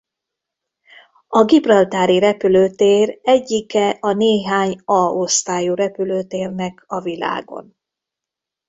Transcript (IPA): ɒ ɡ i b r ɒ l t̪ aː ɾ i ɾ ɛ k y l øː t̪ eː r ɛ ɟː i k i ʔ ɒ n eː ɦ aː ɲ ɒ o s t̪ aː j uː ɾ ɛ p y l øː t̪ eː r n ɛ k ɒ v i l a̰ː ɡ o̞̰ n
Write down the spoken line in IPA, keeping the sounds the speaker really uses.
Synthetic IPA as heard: ɒ ɡ i b r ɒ l t̪ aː ɾ i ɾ ɛ p y l øː t̪ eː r ɛ ɟː i k ɛ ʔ ɒ n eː ɦ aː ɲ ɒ o s t̪ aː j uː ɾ ɛ p y l øː t̪ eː r n ɛ k ɒ v i l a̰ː ɡ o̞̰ n